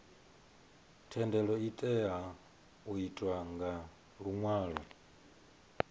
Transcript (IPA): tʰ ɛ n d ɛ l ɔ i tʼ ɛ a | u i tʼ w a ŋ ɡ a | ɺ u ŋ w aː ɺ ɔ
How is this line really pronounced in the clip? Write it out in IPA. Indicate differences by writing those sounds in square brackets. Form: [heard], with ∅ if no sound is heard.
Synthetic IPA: tʰ ɛ n d ɛ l ɔ i tʼ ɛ a | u i tʼ w a ŋ ɡ a | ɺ u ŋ w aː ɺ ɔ